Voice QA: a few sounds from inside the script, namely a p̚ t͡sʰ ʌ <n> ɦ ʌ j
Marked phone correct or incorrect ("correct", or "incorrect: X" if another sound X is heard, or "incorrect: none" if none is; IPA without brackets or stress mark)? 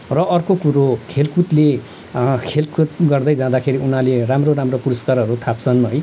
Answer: correct